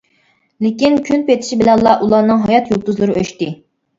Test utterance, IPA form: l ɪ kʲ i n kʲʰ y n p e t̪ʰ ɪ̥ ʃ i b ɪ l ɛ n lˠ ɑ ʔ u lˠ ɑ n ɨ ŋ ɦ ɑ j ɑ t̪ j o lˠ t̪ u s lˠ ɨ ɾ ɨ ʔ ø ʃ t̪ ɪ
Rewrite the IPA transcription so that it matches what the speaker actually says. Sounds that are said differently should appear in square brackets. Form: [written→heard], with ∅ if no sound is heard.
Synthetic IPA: l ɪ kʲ i n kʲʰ y n p e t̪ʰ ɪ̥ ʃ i b ɪ l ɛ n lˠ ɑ ʔ u lˠ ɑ n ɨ ŋ ɦ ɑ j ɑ t̪ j o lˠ t̪ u [s→z] lˠ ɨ ɾ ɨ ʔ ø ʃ t̪ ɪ